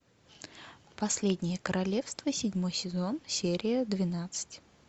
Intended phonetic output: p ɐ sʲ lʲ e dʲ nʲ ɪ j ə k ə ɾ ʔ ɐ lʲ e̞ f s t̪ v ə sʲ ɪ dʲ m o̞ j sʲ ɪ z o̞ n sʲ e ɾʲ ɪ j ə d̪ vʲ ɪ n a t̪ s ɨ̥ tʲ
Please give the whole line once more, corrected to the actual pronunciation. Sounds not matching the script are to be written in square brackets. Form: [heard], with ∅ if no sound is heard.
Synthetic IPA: p ɐ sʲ lʲ e dʲ nʲ ɪ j ə k ə ɾ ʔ ɐ lʲ e̞ f s t̪ v ə sʲ ɪ dʲ m o̞ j sʲ ɪ z o̞ n sʲ e ɾʲ ɪ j ə d̪ vʲ ɪ n a t̪ s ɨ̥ tʲ